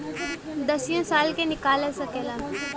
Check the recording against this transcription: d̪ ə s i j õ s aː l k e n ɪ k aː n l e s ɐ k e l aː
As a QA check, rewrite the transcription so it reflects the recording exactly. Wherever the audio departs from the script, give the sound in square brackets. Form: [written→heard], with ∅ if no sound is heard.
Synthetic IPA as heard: d̪ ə s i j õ s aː l k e n ɪ k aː [n→∅] l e s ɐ k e l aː